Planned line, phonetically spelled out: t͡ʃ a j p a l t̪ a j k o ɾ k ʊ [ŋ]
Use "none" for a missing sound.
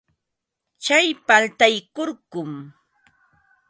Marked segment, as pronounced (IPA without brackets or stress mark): m